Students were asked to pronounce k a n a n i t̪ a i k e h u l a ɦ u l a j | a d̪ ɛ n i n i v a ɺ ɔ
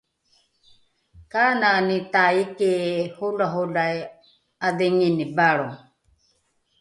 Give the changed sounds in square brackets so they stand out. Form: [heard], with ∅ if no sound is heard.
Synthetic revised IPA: k a n a n i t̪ a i k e h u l a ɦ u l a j | a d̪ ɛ [ŋ] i n i [b] a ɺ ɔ